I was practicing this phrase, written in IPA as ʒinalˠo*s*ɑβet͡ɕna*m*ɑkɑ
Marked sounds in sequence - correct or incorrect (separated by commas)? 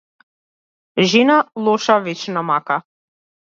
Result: incorrect, correct